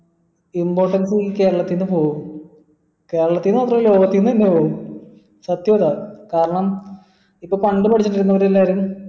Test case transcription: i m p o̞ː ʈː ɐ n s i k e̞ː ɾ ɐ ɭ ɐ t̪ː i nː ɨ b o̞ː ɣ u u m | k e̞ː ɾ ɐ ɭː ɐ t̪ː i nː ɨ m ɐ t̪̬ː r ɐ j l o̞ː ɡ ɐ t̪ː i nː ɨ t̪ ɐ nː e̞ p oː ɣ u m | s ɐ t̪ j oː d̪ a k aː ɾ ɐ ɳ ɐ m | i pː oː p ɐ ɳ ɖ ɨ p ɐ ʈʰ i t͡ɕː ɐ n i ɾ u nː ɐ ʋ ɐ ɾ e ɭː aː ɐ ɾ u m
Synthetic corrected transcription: i m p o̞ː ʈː ɐ n s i k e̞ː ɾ ɐ ɭ ɐ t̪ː i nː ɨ p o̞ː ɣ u u m | k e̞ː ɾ ɐ ɭ ɐ t̪ː i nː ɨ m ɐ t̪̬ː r ɐ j l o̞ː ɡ ɐ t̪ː i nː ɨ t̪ ɐ nː e̞ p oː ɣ u m | s ɐ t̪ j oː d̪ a k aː ɾ ɐ ɳ ɐ m | i pː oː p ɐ ɳ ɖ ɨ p ɐ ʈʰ i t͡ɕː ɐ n i ɾ u nː ɐ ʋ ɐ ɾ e lː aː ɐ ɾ u m

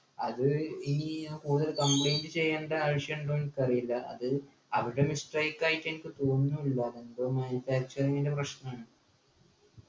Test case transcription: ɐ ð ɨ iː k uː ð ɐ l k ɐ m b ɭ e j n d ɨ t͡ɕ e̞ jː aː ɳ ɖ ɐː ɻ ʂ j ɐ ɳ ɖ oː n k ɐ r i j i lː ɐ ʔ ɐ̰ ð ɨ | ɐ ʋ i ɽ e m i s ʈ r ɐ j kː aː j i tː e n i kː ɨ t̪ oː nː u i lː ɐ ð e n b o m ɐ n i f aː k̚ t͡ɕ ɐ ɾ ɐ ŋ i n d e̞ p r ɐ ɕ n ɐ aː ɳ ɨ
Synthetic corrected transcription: ɐ ð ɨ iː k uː ð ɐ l k ɐ m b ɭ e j n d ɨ t͡ɕ e̞ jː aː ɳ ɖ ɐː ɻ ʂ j ɐ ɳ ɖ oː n k ɐ r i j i lː ɐ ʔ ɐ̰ ð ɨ | ɐ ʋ i ɽ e m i s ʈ r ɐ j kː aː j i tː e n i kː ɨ t̪ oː nː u i lː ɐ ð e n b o m ɐ n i f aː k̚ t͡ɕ ɐ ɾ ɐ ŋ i n d e̞ p r ɐ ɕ n ɐ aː ɳ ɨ

